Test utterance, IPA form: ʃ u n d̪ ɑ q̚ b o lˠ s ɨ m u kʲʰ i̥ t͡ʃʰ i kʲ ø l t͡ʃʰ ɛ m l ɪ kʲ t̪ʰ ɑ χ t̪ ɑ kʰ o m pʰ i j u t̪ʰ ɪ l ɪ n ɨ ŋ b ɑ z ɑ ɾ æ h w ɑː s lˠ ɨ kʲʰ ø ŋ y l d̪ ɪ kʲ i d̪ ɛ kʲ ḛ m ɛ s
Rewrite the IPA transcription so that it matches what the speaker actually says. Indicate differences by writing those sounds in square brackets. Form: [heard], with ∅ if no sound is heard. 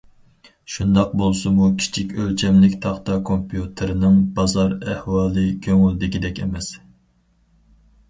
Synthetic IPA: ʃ u n d̪ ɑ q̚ b o lˠ s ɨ m u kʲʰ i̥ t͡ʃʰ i kʲ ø l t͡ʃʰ ɛ m l ɪ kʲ t̪ʰ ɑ χ t̪ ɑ kʰ o m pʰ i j u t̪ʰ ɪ [ɾ] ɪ n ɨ ŋ b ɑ z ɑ ɾ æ h w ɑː [∅] lˠ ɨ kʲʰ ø ŋ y l d̪ ɪ kʲ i d̪ ɛ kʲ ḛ m ɛ s